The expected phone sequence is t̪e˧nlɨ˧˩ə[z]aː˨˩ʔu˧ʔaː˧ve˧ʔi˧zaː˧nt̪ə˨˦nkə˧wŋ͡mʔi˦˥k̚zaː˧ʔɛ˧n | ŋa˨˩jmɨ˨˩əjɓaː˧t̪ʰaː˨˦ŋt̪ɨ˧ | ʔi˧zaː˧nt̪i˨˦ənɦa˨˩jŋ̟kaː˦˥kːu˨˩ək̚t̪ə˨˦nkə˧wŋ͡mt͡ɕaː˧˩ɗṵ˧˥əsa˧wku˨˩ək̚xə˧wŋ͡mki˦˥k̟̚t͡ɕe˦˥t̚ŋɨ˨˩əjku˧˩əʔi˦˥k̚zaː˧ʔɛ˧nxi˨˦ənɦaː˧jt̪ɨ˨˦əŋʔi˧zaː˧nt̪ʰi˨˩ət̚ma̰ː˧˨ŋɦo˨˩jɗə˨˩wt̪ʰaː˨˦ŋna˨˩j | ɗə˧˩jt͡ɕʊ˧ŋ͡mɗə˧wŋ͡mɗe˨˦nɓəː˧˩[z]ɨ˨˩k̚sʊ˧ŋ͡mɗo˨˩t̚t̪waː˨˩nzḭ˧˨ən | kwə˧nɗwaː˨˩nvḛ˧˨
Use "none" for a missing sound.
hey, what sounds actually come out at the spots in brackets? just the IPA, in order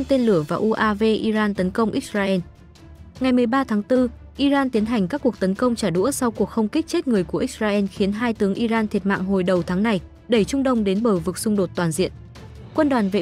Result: v, v

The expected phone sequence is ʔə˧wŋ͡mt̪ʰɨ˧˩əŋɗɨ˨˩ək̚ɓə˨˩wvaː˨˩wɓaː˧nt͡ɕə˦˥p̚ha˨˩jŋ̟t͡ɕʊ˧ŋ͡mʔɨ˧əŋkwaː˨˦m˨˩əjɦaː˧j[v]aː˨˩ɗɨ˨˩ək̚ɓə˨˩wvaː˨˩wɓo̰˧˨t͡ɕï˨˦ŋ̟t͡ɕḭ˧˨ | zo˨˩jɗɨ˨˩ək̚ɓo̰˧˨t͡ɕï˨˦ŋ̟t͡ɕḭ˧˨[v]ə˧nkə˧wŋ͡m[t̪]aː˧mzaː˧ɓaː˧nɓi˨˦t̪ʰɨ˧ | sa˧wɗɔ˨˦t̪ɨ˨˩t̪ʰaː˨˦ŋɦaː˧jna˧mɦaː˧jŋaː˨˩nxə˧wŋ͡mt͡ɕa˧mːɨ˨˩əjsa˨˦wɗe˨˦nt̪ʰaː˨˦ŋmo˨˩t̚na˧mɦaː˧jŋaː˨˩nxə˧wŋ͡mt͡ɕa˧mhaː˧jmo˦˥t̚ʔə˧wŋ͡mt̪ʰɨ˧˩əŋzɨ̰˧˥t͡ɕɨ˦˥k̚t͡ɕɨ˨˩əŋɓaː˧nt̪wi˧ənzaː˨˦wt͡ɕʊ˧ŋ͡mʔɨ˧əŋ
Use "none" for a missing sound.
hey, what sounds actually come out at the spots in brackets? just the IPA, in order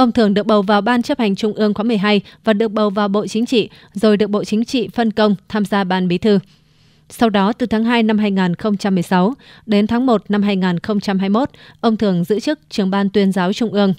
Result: v, f, t̪ʰ

